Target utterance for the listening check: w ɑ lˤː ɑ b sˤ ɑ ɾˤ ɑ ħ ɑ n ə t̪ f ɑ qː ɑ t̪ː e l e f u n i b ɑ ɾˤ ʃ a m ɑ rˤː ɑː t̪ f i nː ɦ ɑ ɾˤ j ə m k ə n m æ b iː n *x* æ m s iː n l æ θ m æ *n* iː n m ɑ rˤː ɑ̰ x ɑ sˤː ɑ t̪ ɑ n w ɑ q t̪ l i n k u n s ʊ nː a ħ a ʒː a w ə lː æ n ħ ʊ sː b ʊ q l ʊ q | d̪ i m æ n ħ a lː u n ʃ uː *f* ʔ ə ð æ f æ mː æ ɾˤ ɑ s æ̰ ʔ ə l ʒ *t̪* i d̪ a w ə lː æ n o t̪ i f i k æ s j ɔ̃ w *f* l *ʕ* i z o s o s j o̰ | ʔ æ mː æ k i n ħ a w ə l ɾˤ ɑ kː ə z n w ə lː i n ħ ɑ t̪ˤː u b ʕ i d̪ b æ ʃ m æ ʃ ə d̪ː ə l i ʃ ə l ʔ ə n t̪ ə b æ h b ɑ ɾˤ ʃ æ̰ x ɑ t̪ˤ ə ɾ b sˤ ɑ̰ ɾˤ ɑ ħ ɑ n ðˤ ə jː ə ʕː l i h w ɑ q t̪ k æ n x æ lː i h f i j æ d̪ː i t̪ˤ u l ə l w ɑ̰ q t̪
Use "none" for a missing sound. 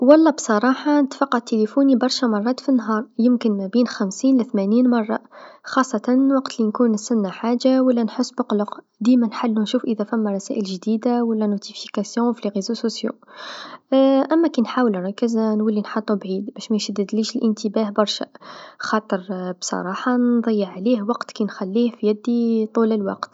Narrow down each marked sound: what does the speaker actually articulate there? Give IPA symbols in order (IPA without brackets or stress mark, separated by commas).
x, n, f, d̪, f, ɣ